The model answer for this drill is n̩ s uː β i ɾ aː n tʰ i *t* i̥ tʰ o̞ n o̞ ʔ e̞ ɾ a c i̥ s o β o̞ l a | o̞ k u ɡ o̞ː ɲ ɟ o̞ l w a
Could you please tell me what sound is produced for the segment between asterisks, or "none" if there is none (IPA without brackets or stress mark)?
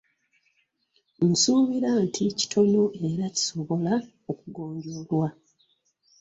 c